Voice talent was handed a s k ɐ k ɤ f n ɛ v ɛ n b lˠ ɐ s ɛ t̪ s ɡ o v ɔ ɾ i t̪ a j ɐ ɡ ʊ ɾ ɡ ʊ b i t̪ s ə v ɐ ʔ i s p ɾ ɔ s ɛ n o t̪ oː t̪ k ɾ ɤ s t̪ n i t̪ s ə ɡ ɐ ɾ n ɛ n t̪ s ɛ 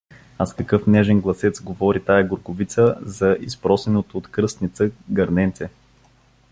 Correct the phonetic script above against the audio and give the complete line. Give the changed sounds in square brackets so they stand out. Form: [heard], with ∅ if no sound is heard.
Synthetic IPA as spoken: a s k ɐ k ɤ f n ɛ [ʒ] ɛ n [ɡ] lˠ ɐ s ɛ t̪ s ɡ o v ɔ ɾ i t̪ a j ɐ ɡ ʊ ɾ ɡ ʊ [v] i t̪ s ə [z] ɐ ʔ i s p ɾ ɔ s ɛ n o t̪ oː t̪ k ɾ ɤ s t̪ n i t̪ s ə ɡ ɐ ɾ n ɛ n t̪ s ɛ